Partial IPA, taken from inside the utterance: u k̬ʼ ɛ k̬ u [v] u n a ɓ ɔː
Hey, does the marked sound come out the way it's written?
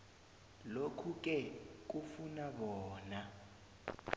no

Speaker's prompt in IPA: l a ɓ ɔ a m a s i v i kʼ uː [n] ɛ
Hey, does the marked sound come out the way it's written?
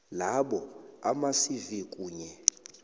no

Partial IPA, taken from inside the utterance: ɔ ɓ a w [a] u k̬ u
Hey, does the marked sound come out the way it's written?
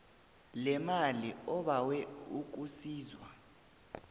no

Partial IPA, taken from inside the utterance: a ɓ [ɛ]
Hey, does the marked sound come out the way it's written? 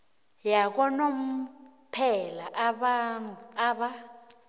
no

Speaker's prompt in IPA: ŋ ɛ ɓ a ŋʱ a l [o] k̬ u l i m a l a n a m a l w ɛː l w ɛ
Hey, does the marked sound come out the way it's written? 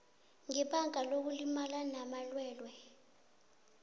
yes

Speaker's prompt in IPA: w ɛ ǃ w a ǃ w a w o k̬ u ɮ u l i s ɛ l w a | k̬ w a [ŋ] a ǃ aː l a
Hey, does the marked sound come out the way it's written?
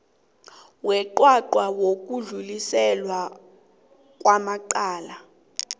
no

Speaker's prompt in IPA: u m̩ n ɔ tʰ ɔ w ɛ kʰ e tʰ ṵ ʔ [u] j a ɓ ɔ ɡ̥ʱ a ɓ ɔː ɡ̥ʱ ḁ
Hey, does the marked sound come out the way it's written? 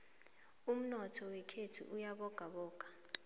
yes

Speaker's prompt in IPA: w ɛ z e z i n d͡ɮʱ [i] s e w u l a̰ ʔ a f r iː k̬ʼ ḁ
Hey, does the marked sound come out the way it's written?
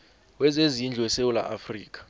no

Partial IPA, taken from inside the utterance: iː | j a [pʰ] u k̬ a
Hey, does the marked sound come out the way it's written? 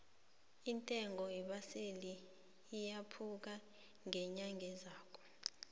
yes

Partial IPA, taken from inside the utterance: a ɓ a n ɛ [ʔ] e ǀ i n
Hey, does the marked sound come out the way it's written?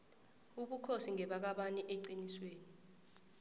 yes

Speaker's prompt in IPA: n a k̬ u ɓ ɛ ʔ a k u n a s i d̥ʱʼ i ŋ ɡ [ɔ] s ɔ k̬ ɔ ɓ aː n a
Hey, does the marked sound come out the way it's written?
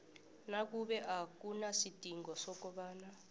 yes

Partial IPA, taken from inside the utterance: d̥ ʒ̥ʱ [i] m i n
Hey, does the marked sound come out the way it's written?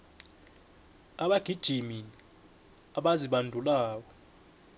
yes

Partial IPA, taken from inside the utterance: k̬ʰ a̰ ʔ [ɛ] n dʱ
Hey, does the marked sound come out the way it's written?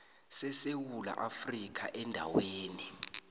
yes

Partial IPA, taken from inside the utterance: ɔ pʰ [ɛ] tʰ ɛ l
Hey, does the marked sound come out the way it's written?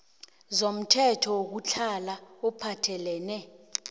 no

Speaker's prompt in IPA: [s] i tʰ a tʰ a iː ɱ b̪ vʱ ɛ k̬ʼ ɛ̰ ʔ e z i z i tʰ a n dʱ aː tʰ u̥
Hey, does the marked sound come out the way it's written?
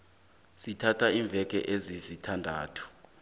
yes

